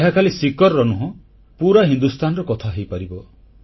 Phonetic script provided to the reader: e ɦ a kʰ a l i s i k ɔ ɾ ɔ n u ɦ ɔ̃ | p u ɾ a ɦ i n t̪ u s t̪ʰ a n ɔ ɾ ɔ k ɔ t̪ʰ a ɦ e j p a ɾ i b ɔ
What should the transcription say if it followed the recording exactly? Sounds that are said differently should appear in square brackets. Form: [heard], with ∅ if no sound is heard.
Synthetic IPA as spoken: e ɦ a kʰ a l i s i k ɔ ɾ ɔ n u ɦ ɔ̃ | p u ɾ a ɦ i n [d̪] u s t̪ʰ a n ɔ ɾ ɔ k ɔ t̪ʰ a ɦ e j p a ɾ i b ɔ

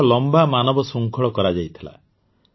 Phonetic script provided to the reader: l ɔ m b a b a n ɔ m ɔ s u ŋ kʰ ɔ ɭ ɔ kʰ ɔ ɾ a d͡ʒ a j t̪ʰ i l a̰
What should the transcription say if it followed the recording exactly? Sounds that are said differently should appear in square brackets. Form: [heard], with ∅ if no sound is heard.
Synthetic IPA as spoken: l ɔ m b a [m] a n ɔ [b] ɔ s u ŋ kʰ ɔ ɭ ɔ [k] ɔ ɾ a d͡ʒ a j t̪ʰ i l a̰

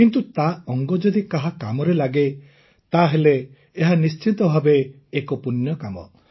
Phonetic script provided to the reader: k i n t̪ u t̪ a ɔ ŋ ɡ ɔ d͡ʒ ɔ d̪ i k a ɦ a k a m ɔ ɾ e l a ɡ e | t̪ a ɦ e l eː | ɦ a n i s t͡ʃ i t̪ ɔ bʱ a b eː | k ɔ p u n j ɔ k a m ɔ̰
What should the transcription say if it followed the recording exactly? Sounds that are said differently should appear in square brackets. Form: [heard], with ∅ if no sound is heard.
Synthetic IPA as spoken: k i n t̪ u t̪ a ɔ ŋ ɡ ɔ d͡ʒ ɔ d̪ i k a ɦ a k a m ɔ ɾ e l a ɡ e | t̪ a ɦ e l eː | ɦ a n i s t͡ʃ i t̪ ɔ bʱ a b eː | k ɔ p u n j ɔ k a m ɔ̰

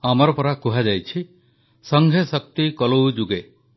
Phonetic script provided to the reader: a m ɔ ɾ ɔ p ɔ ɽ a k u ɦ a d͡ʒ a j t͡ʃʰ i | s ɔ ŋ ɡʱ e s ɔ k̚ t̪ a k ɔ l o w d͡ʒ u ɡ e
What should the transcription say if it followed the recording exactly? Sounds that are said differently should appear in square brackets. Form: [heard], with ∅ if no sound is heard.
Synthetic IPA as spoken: a m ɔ ɾ ɔ p ɔ [ɾ] a k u ɦ a d͡ʒ a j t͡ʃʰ i | s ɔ ŋ ɡʱ e s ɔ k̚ t̪ [i] k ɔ l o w d͡ʒ u ɡ e

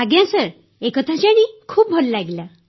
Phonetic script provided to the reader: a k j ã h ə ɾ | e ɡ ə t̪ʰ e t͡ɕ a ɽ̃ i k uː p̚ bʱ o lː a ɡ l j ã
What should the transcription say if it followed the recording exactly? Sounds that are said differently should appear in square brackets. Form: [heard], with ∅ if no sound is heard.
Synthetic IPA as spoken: a [ɡ] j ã [s] ə ɾ | e [k] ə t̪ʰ [a] t͡ɕ a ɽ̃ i [kʰ] uː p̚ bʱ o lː a ɡ l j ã

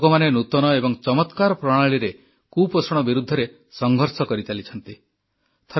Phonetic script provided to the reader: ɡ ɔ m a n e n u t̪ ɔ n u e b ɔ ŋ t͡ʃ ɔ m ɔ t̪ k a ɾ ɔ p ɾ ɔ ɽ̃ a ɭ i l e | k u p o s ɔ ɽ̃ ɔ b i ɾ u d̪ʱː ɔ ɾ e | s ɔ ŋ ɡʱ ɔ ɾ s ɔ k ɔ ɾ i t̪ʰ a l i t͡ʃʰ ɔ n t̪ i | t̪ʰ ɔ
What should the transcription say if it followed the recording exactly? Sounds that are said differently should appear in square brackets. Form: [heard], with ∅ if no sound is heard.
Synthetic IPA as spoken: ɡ ɔ m a n e n u t̪ ɔ n [ɔ] e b ɔ ŋ t͡ʃ ɔ m ɔ t̪ k a ɾ ɔ p ɾ ɔ ɽ̃ a ɭ i [ɾ] e | k u p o s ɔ ɽ̃ ɔ b i ɾ u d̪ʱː ɔ ɾ e | s ɔ ŋ ɡʱ ɔ ɾ s ɔ k ɔ ɾ i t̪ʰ a l i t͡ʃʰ ɔ n t̪ i | t̪ʰ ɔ

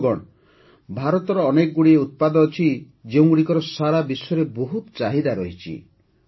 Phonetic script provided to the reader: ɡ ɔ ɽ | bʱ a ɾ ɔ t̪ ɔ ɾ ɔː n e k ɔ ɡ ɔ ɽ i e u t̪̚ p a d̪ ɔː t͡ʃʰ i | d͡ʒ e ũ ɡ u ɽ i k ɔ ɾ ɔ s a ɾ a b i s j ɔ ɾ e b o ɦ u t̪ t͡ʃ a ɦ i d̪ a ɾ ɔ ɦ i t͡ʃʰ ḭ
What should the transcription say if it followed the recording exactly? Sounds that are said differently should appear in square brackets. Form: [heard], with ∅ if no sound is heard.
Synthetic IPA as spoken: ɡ ɔ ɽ | bʱ a ɾ ɔ t̪ ɔ ɾ ɔː n e k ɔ ɡ [u] ɽ i e u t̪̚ p a d̪ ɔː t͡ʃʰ i | d͡ʒ e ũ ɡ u ɽ i k ɔ ɾ ɔ s a ɾ a b i s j ɔ ɾ e b o ɦ u t̪ t͡ʃ a ɦ i d̪ a ɾ ɔ ɦ i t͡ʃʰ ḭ

